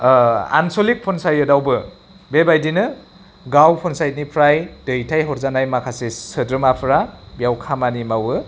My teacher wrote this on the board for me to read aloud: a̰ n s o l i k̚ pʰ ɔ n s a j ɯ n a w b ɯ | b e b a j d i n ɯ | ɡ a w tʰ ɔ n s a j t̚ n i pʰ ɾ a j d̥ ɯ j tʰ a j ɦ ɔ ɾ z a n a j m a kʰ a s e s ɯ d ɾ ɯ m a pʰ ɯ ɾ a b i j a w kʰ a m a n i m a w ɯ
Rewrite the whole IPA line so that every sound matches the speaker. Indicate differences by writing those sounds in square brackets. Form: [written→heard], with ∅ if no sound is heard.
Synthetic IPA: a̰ n s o l i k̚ pʰ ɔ n s a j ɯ [n→d] a w b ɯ | b e b a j d i n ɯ | ɡ a w [tʰ→pʰ] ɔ n s a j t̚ n i pʰ ɾ a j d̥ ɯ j tʰ a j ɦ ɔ ɾ z a n a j m a kʰ a s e s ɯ d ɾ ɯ m a pʰ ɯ ɾ a b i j a w kʰ a m a n i m a w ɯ